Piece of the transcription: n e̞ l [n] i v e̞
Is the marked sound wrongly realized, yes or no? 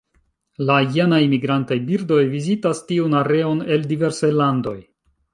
yes